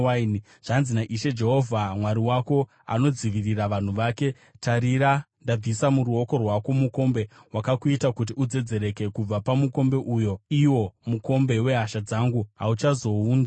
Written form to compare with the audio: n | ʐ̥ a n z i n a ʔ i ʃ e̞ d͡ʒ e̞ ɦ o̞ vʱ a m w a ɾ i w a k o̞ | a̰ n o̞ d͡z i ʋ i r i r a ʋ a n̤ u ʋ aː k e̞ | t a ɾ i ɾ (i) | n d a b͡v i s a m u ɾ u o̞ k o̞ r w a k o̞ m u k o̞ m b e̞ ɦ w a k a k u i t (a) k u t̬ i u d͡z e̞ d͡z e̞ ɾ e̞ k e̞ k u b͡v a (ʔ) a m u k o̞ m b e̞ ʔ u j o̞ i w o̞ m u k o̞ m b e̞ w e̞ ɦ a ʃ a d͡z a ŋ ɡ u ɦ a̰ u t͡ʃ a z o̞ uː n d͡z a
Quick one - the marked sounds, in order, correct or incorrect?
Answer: incorrect: a, correct, incorrect: p

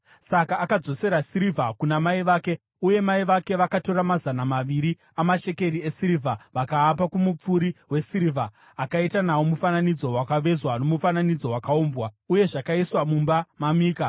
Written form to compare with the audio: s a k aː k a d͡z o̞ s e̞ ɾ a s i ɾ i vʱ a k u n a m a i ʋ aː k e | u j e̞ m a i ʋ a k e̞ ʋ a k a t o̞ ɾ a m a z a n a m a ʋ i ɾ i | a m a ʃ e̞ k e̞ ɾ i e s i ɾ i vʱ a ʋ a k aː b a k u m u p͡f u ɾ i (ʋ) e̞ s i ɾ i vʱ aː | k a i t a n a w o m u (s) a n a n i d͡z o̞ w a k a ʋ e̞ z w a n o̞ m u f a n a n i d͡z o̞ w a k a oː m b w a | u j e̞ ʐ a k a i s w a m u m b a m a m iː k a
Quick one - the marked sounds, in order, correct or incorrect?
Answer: incorrect: w, incorrect: f

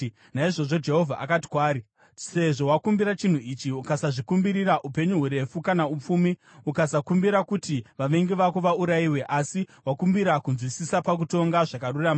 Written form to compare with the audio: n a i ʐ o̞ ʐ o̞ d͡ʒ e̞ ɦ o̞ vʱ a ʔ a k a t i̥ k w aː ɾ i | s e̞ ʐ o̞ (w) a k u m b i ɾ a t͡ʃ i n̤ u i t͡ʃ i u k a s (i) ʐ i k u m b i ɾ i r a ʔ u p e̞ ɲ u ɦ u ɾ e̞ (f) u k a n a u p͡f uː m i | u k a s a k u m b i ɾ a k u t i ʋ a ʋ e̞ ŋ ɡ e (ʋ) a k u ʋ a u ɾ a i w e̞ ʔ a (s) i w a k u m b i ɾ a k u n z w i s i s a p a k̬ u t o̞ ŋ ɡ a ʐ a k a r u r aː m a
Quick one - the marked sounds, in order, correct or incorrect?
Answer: correct, incorrect: a, correct, correct, correct

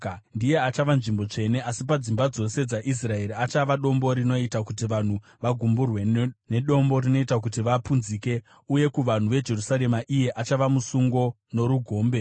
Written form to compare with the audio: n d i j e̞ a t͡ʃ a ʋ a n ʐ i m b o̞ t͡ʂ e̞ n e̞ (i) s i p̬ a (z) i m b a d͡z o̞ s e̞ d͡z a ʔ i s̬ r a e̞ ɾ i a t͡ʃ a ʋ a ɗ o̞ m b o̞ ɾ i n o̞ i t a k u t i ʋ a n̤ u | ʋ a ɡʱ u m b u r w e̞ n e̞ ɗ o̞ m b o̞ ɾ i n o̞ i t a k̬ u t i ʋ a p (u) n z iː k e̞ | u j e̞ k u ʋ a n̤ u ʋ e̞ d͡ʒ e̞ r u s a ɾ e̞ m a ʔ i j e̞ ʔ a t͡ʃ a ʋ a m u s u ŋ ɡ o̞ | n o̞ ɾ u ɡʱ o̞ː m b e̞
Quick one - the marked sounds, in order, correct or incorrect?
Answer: incorrect: a, incorrect: d͡z, correct

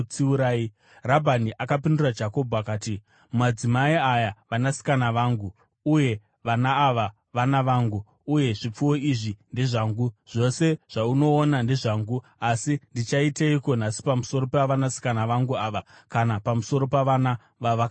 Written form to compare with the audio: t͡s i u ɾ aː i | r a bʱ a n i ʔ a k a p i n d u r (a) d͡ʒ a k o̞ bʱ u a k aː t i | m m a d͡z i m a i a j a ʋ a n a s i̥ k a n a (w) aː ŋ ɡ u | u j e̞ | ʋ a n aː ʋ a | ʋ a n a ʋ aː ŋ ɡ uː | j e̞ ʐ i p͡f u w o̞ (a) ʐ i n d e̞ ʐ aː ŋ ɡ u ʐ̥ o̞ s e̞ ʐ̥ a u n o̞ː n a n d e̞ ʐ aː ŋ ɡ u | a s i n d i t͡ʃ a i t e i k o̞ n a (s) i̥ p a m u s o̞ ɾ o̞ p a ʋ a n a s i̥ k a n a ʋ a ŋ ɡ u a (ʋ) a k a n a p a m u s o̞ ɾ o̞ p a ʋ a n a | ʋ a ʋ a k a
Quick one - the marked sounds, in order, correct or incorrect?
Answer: correct, incorrect: ʋ, incorrect: i, correct, correct

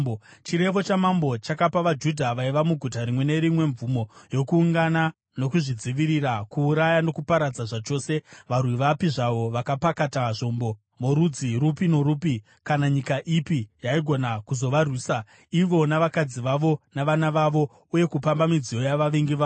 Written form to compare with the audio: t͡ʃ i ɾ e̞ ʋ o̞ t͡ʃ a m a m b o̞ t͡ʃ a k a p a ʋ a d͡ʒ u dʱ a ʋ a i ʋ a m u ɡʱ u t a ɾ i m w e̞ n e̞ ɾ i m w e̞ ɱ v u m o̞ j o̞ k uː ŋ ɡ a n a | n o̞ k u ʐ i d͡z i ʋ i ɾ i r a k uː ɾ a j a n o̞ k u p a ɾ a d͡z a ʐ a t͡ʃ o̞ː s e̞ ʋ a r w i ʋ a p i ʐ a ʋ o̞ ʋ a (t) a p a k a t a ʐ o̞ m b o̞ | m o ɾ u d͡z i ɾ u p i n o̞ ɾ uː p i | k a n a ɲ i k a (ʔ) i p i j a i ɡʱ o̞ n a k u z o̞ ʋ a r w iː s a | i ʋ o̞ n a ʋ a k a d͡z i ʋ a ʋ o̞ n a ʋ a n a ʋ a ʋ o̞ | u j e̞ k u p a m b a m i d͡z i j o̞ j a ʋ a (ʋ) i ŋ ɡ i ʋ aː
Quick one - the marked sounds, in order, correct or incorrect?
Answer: incorrect: k, correct, correct

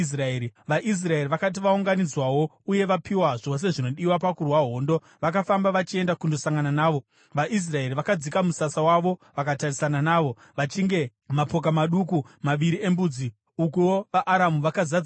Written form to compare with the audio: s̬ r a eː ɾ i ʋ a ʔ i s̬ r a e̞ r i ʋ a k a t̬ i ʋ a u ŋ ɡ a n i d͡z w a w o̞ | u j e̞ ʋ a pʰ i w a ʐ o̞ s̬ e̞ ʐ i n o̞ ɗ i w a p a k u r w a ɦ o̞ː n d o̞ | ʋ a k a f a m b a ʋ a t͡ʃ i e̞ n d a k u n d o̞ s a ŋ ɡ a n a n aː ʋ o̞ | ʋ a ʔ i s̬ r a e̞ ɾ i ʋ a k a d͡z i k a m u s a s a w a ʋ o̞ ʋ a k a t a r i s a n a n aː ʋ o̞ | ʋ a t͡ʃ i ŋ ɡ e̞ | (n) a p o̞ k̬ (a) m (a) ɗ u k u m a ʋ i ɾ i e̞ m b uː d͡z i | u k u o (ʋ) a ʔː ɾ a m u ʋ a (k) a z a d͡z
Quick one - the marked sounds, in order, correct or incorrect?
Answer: incorrect: m, correct, correct, correct, correct

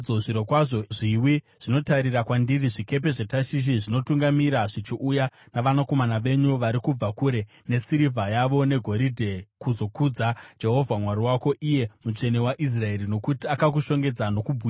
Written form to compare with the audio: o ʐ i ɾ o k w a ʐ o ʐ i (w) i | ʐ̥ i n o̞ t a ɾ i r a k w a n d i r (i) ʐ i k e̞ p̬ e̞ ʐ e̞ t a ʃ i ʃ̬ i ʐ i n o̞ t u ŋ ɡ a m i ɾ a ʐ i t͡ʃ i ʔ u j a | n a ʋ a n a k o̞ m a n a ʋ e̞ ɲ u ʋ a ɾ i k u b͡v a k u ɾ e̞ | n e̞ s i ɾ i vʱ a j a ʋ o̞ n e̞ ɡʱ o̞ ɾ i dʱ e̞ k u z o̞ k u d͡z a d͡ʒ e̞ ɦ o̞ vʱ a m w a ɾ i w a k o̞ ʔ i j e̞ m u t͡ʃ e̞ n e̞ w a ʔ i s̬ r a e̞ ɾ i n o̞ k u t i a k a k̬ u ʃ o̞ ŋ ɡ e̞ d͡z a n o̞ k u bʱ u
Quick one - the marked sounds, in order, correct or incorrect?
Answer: correct, correct

